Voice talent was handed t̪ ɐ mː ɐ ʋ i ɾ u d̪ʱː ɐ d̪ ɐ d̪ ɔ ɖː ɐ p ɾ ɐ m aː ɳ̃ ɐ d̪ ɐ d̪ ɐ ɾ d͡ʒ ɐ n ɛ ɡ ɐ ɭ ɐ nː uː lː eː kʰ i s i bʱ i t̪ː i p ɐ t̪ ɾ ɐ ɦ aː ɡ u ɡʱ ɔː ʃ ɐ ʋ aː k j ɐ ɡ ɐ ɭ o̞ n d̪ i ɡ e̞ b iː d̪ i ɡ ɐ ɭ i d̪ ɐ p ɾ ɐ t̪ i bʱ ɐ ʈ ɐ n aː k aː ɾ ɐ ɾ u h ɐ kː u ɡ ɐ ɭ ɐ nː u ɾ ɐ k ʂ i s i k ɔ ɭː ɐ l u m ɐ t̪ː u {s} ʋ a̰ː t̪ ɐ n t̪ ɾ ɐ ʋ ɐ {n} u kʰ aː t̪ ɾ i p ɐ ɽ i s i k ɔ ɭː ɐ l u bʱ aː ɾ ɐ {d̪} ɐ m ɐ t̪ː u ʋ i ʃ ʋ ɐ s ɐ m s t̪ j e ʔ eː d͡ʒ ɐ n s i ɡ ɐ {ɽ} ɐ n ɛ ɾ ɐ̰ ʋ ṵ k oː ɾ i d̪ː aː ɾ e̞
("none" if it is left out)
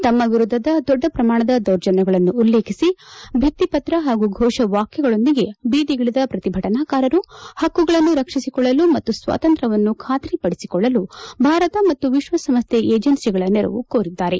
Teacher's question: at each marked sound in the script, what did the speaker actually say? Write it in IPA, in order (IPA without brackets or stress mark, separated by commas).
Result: s, nː, t̪, ɭ